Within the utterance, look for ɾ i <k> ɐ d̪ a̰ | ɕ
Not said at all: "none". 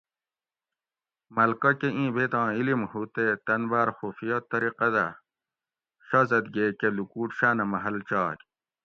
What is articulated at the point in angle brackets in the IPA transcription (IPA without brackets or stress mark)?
q